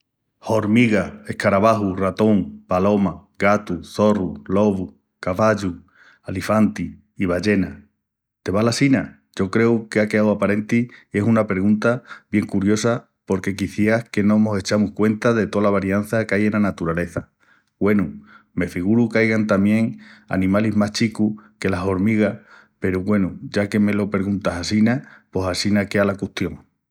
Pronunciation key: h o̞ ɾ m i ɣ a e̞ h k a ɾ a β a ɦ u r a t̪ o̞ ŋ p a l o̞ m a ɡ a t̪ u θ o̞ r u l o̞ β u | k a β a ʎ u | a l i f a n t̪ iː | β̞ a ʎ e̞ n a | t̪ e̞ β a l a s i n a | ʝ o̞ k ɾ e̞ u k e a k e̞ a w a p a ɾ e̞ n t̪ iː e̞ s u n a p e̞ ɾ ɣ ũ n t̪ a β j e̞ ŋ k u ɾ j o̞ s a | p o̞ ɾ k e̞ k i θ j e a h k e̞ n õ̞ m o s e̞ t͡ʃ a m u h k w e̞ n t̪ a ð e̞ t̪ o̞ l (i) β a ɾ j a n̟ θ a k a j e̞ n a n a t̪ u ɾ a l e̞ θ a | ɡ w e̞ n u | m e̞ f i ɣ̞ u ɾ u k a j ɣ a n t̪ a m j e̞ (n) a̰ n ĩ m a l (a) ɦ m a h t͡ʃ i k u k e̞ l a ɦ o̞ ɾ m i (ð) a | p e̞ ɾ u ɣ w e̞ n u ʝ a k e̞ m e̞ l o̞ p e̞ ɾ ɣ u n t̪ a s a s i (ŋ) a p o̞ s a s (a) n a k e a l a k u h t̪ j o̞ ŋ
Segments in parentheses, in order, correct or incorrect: incorrect, incorrect, incorrect, incorrect, incorrect, incorrect

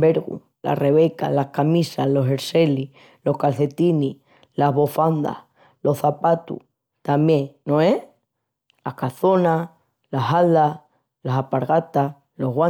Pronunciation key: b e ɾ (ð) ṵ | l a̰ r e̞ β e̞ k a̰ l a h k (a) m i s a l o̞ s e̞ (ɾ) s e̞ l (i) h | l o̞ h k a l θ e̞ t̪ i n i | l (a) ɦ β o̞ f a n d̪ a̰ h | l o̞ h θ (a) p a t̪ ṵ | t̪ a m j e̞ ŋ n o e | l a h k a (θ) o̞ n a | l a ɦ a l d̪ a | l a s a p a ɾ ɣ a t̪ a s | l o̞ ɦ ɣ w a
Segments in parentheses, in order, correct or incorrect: incorrect, correct, correct, correct, correct, correct, correct

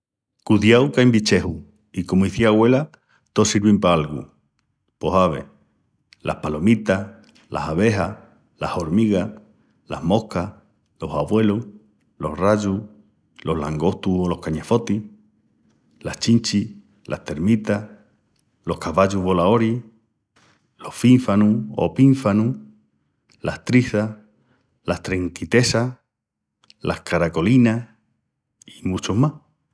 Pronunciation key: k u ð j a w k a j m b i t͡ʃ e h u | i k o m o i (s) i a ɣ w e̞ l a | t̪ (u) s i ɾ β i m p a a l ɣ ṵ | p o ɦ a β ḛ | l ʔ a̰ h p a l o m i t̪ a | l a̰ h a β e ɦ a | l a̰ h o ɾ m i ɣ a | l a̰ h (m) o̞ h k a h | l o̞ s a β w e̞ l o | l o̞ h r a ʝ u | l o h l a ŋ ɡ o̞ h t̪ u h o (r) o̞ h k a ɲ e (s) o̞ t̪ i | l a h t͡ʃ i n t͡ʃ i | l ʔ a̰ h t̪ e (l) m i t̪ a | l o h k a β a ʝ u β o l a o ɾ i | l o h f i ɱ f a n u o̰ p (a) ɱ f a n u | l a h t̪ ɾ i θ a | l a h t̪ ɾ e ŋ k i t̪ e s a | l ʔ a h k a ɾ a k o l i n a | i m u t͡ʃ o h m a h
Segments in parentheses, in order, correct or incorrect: incorrect, incorrect, correct, incorrect, incorrect, incorrect, incorrect

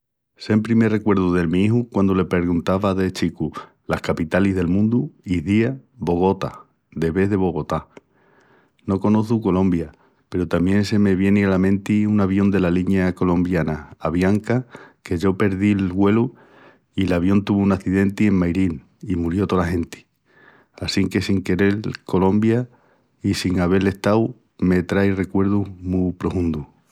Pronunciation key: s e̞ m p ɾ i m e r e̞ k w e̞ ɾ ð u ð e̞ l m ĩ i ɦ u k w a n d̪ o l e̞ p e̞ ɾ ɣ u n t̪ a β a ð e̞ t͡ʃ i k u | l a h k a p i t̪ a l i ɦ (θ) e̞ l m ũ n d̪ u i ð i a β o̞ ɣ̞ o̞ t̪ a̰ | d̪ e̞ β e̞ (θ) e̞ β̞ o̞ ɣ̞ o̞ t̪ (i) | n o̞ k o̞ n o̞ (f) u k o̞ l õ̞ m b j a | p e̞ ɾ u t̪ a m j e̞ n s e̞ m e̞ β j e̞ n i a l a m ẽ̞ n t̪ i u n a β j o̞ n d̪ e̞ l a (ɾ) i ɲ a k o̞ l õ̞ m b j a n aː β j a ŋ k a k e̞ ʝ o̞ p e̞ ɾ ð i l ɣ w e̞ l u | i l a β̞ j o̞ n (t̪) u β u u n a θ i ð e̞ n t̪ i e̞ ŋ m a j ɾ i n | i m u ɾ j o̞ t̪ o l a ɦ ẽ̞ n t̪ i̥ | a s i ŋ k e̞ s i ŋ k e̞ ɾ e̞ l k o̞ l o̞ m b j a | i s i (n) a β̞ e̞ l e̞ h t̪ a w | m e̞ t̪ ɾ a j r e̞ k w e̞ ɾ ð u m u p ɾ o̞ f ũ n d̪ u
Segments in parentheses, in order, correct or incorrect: incorrect, incorrect, incorrect, incorrect, incorrect, correct, incorrect

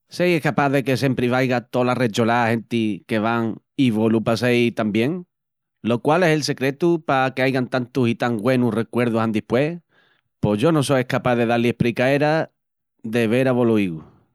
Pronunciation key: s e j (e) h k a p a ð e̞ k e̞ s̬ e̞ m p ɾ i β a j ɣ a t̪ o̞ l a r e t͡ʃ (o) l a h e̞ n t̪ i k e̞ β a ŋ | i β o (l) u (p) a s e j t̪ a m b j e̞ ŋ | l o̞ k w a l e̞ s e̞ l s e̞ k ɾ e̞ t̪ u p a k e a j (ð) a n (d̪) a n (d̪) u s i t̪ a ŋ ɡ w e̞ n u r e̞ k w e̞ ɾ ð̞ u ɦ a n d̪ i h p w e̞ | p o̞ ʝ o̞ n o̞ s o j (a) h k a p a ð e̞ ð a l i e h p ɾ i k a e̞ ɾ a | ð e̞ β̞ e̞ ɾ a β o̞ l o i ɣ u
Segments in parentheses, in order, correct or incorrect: correct, correct, correct, correct, incorrect, incorrect, incorrect, incorrect

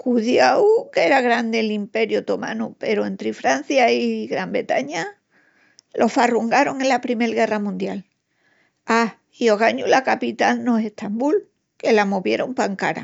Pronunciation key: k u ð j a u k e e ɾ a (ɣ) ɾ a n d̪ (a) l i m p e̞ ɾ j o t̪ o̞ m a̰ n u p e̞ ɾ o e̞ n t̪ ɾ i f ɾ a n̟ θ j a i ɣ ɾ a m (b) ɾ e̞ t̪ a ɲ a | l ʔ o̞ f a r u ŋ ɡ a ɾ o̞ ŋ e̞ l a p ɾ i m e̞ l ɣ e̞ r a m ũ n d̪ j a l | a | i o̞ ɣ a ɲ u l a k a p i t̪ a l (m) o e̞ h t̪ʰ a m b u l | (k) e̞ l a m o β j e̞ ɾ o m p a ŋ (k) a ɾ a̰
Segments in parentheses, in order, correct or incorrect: correct, incorrect, correct, incorrect, correct, correct

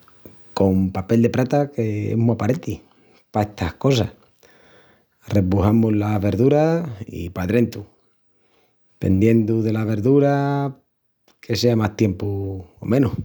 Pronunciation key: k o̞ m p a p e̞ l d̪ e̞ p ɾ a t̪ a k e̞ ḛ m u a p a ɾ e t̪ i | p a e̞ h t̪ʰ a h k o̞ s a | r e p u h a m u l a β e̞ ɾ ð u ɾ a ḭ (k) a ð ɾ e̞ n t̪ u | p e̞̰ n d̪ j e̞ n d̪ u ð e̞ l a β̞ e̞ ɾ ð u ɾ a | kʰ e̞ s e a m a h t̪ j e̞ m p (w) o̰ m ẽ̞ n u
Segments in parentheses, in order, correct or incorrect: incorrect, incorrect

